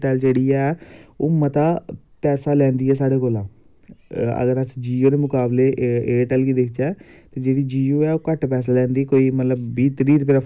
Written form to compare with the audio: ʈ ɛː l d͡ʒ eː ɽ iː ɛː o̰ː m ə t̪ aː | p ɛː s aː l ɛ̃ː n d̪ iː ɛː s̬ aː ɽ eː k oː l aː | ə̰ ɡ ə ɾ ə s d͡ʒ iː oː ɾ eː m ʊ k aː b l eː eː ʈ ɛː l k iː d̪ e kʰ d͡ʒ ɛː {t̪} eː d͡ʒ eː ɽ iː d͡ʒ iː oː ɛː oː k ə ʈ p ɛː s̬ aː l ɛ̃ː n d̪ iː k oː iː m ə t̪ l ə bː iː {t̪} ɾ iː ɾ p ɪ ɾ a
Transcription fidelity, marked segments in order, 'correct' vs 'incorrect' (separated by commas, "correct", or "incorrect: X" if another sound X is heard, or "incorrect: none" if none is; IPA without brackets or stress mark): correct, correct